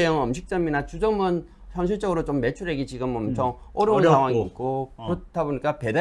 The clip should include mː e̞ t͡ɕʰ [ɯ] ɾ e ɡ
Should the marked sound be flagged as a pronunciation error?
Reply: yes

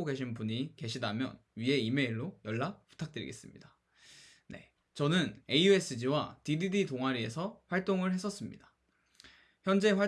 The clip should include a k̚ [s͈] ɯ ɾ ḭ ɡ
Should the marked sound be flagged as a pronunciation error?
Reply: yes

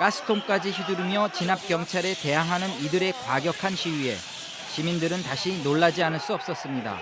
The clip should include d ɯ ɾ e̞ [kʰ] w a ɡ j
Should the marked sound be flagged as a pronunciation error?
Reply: yes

